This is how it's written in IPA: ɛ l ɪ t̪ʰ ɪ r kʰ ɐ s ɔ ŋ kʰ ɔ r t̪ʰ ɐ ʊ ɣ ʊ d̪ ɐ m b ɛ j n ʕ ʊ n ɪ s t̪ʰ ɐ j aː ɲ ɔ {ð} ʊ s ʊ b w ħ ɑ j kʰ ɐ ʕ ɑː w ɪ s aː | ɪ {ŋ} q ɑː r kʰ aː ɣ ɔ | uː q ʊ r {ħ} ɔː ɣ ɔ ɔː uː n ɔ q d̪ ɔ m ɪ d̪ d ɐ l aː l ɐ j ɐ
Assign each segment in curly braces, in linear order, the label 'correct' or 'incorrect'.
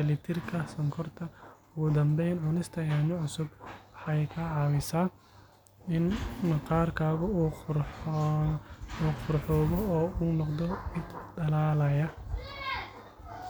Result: incorrect: ʕ, incorrect: n, correct

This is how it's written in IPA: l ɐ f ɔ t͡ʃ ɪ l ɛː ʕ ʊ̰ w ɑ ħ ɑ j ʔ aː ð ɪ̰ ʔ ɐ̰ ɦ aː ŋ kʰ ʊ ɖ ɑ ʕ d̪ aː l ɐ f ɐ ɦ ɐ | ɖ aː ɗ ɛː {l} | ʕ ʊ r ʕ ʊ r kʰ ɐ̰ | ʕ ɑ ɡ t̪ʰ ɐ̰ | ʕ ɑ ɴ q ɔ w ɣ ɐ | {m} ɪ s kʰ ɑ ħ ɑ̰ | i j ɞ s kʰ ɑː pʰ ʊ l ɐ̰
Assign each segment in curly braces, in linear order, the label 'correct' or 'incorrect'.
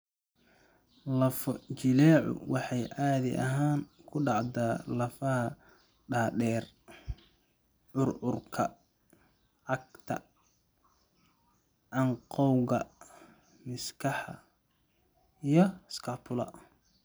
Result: incorrect: r, correct

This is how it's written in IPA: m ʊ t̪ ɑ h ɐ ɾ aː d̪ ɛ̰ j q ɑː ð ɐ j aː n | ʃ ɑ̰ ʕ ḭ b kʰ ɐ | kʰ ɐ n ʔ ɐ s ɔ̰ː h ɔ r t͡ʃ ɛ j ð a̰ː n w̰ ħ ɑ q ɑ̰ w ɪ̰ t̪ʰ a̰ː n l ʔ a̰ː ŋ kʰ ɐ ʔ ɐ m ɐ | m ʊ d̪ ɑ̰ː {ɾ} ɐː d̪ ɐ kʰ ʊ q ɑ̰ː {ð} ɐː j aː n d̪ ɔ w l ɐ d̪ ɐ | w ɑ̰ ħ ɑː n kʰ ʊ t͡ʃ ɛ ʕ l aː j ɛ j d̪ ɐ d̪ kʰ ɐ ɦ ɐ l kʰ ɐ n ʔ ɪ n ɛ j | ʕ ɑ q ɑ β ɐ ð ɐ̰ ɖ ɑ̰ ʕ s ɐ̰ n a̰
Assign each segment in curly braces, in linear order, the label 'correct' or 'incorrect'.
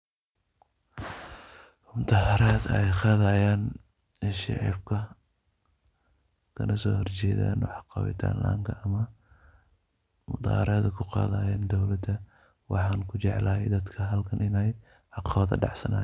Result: correct, correct

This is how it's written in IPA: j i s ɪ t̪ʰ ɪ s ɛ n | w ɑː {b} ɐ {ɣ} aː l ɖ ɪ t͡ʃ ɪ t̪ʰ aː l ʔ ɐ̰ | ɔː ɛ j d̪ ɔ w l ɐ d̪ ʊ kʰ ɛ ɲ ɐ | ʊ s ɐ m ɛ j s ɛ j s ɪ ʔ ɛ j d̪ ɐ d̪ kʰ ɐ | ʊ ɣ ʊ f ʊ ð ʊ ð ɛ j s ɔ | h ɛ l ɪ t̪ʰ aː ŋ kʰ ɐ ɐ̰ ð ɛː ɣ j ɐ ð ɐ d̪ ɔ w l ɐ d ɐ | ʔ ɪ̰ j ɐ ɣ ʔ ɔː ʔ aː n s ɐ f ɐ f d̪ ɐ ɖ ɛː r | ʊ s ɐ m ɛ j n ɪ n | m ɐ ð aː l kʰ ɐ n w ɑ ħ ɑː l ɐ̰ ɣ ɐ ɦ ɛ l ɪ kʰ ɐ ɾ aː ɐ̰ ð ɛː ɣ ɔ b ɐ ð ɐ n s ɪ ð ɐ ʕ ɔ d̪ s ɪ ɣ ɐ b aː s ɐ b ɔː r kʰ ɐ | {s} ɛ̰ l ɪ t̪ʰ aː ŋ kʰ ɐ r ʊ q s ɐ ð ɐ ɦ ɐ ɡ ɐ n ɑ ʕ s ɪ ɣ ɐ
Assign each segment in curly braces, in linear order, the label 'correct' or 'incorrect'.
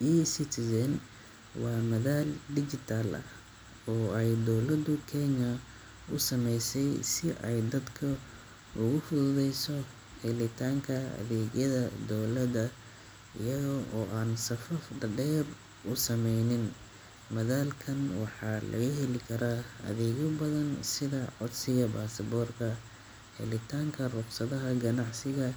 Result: incorrect: m, incorrect: ð, incorrect: h

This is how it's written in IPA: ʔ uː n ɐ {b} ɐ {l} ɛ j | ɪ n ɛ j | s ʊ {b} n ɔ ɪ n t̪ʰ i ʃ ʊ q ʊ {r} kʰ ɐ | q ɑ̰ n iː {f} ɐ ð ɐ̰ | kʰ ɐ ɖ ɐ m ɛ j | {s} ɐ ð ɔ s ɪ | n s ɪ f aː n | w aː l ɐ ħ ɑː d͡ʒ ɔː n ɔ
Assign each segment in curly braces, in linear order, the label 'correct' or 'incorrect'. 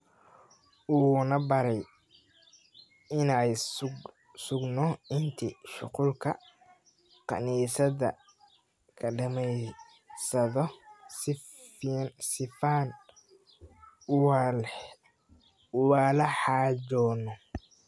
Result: correct, incorrect: ɾ, incorrect: ɡ, incorrect: l, incorrect: s, correct

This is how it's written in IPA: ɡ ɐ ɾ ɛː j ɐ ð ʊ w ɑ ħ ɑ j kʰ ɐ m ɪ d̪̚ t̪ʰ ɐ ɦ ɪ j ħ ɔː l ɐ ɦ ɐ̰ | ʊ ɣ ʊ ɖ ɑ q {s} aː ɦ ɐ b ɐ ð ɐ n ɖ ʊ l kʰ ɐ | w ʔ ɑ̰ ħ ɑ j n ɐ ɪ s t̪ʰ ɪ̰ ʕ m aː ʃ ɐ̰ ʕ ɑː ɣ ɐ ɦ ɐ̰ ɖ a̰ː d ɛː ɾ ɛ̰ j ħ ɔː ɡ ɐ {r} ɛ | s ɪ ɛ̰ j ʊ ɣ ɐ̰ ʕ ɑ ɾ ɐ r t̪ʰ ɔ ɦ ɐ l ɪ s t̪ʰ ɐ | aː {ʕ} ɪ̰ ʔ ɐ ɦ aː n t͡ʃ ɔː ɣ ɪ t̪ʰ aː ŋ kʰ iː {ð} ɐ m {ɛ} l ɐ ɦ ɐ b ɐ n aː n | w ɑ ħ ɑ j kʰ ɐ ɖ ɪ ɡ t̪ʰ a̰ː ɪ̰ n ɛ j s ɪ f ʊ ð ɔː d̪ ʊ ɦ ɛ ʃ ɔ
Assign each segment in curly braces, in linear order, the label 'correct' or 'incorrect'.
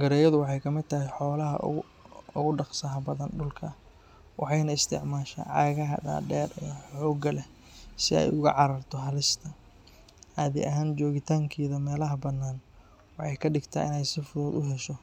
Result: correct, incorrect: l, incorrect: ð, correct, incorrect: ɛː

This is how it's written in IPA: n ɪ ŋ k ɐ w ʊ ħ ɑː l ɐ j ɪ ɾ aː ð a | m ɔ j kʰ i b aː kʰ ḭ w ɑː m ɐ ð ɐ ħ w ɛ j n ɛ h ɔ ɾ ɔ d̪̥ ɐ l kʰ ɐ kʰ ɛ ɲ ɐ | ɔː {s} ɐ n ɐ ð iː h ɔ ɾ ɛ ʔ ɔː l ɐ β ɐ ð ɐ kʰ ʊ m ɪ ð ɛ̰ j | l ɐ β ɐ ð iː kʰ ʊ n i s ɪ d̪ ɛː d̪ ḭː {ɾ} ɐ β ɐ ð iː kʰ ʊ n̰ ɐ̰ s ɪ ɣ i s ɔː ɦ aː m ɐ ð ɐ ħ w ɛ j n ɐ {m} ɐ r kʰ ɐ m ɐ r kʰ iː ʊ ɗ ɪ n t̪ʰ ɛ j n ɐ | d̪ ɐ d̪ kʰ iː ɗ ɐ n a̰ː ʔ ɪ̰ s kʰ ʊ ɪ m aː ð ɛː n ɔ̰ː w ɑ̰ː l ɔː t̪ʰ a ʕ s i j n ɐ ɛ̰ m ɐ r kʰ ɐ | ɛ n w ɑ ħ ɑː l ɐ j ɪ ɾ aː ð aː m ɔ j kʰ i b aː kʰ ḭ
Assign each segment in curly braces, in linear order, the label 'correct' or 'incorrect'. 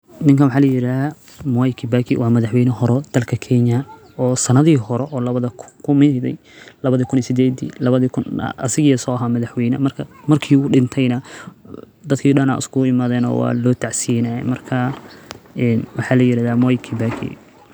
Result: correct, incorrect: l, correct

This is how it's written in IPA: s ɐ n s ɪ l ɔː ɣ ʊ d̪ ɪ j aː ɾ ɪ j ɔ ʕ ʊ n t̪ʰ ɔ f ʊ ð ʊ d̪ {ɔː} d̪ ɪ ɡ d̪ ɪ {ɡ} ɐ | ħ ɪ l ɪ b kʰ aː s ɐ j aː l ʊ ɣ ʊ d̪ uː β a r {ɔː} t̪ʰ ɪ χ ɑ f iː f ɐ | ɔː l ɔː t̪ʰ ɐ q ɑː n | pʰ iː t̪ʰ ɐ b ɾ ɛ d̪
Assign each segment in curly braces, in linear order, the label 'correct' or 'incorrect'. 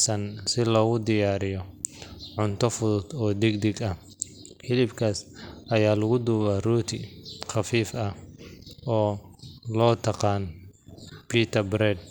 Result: correct, correct, incorrect: uː

